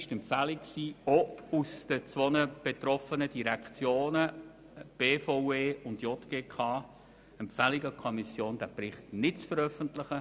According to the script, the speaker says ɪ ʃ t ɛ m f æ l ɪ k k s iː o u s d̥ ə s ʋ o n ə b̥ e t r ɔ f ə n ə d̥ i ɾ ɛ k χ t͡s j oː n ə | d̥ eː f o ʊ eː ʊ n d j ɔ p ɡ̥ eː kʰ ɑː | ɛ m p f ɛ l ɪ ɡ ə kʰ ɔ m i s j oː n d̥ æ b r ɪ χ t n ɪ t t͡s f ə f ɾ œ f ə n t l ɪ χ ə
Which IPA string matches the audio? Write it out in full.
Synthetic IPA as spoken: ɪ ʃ t ɛ m f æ l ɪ k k s iː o u s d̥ ə t͡s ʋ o n ə b̥ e t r ɔ f ə n ə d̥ i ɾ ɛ k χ t͡s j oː n ə | b̥ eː f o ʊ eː ʊ n d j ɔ t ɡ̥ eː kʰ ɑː | ɛ m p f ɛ l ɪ ɡ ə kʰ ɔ m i s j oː n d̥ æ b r ɪ χ t n ɪ t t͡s f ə ɾ œ f ə n t l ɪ χ ə